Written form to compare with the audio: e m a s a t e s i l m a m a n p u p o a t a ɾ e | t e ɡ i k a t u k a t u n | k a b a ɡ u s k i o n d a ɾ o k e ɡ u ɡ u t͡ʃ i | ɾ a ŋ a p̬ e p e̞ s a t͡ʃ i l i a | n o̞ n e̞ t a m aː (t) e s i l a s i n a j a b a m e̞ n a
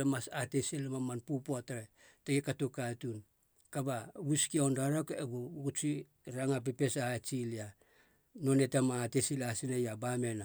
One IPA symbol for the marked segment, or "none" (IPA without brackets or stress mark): t